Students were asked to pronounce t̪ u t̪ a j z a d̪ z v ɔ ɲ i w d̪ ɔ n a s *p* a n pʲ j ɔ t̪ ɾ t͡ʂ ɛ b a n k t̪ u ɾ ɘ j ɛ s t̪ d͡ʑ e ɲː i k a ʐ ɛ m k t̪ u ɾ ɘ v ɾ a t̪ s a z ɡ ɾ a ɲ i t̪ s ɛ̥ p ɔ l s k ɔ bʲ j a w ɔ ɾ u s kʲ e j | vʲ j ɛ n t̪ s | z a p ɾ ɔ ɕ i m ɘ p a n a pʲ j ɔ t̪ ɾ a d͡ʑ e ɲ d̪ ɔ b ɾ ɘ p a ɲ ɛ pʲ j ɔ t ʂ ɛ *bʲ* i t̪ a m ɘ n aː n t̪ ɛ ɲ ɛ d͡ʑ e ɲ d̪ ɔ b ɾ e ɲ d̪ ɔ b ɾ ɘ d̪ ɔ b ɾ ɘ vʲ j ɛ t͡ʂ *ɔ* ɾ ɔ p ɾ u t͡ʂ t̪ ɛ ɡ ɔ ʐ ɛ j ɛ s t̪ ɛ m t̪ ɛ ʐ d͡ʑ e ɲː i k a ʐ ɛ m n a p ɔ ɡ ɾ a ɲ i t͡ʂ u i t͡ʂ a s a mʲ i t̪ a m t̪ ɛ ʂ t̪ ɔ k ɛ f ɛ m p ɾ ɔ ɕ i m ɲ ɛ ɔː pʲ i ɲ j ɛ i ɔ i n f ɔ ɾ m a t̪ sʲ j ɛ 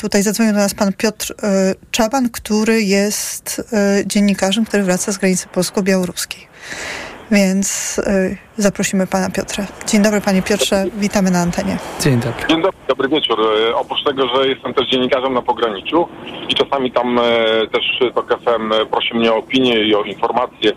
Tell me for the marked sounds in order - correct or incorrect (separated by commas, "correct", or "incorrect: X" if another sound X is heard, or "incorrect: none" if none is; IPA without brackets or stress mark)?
correct, incorrect: vʲ, incorrect: u